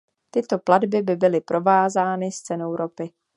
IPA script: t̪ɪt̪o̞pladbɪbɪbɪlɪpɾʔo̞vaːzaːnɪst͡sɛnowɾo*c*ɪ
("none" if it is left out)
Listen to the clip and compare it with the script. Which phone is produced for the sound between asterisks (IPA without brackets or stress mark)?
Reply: p